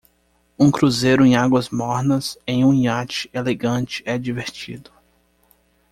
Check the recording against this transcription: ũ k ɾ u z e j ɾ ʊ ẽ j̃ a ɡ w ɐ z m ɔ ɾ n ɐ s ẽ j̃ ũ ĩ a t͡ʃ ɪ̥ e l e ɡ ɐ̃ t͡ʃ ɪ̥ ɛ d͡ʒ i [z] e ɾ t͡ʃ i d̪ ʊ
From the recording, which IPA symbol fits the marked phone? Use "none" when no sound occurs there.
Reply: v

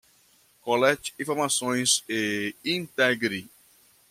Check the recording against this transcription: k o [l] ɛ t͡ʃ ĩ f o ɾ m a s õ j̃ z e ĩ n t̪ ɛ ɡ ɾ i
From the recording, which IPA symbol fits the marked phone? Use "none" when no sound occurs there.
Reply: l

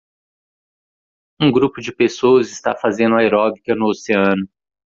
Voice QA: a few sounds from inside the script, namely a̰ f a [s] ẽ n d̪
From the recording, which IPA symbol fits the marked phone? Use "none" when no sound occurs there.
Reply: z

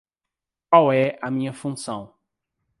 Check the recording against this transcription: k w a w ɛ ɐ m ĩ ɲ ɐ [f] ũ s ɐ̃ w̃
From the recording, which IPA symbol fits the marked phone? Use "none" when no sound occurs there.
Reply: f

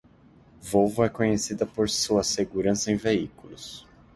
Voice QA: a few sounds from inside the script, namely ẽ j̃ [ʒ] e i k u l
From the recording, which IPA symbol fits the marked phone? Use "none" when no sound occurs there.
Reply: v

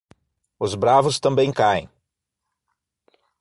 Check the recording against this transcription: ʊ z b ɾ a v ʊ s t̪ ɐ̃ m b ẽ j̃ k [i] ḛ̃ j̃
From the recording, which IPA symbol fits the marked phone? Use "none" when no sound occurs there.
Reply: a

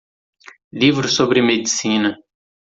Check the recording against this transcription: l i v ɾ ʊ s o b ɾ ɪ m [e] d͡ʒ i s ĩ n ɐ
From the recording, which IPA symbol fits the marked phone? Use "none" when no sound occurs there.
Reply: e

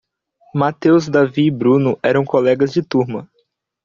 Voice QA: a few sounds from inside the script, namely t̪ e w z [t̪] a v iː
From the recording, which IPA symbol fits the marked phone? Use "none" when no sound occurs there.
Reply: d̪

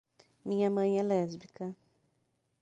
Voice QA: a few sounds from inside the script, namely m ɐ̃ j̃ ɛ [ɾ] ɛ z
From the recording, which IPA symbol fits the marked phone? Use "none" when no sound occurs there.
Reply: l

